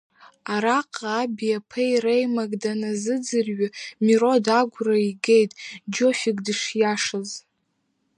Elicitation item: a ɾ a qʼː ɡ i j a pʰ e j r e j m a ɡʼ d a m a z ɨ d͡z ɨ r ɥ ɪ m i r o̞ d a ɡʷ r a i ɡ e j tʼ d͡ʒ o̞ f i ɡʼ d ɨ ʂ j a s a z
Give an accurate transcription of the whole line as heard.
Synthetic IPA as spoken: a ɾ a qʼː b i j a pʰ e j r e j m a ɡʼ d a n a z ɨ d͡z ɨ r ɥ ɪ m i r o̞ d a ɡʷ r a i ɡ e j tʼ d͡ʒ o̞ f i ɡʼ d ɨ ʂ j a ʂ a z